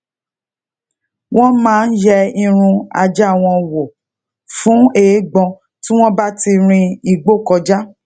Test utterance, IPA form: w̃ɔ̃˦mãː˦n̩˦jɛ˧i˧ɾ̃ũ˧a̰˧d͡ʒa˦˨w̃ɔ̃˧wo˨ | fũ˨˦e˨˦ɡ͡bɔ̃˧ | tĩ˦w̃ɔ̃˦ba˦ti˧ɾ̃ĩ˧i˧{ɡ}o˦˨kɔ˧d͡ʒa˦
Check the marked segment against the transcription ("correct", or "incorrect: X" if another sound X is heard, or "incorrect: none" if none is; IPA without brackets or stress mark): incorrect: ɡ͡b